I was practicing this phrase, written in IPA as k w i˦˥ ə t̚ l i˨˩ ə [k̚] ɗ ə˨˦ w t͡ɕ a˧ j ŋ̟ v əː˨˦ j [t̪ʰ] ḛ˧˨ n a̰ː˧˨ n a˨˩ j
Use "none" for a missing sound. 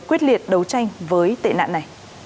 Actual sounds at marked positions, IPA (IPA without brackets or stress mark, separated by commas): t̚, t̪